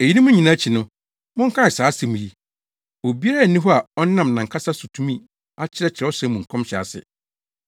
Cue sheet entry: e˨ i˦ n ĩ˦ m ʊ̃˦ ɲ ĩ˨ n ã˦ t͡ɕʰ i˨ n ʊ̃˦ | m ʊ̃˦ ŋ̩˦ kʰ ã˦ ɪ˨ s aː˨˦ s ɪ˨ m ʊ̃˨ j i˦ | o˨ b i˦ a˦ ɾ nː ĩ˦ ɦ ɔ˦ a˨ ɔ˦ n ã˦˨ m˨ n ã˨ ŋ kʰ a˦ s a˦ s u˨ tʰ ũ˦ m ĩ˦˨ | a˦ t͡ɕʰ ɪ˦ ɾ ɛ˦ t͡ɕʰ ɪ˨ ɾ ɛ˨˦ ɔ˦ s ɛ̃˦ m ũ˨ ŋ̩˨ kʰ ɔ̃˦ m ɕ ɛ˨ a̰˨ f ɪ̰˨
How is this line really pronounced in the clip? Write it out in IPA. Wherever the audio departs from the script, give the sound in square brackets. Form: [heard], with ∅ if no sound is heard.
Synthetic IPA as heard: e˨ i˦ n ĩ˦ m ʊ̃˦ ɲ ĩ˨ n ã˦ t͡ɕʰ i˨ n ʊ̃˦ | m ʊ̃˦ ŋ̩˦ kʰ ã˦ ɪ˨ s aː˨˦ s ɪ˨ m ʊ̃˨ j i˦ | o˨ b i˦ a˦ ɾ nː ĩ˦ ɦ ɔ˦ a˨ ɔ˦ n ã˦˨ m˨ n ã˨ ŋ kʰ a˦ s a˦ s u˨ tʰ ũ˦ m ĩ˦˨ | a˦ t͡ɕʰ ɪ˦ ɾ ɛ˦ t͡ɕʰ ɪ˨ ɾ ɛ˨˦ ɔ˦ s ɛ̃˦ m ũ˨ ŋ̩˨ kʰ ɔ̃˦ m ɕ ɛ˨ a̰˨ [s] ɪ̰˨